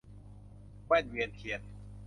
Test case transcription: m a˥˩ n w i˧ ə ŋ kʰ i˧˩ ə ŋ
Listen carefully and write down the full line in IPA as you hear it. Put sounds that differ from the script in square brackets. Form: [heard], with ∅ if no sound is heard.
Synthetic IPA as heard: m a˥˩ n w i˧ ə [n] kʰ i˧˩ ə [n]